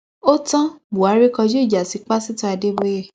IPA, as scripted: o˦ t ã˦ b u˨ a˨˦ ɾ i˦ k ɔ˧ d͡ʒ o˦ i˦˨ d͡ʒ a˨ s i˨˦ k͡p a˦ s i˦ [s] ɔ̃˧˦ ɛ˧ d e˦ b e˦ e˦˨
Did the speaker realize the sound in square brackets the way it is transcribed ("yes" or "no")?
no